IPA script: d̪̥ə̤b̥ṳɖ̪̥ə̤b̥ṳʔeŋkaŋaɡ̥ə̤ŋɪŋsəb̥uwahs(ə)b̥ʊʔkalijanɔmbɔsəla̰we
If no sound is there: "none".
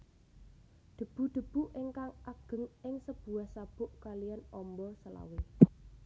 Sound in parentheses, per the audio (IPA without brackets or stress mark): a